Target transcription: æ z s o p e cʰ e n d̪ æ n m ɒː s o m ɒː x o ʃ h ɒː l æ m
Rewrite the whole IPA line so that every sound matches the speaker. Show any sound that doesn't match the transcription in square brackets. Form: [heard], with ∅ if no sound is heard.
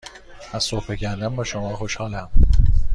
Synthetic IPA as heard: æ z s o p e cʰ [æ] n d̪ æ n [b] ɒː [ʃ] o m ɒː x o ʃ h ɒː l æ m